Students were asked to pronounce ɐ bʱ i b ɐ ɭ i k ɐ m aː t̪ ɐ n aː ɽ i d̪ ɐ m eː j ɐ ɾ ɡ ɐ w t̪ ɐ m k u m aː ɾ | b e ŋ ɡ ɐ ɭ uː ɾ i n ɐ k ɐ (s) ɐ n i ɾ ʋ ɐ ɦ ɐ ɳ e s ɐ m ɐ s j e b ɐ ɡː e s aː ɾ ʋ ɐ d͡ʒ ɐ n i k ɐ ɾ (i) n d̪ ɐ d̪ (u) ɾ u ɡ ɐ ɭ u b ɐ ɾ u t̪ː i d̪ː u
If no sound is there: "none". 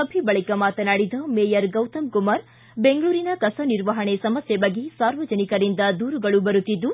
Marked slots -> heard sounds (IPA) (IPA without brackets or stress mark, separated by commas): s, i, uː